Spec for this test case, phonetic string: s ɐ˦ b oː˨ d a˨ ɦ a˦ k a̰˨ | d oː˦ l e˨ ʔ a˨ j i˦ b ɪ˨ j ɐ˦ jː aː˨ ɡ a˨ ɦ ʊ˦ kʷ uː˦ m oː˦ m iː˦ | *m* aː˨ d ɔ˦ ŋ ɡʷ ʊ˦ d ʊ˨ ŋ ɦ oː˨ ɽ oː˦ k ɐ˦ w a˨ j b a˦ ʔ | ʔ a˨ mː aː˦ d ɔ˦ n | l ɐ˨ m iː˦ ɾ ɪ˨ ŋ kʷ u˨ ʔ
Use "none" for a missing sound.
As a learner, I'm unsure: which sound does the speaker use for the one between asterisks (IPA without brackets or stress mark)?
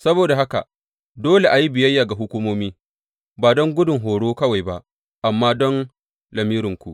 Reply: b